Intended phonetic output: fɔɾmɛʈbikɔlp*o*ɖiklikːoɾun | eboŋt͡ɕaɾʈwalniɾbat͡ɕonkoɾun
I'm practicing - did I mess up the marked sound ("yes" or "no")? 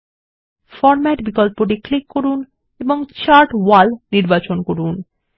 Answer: no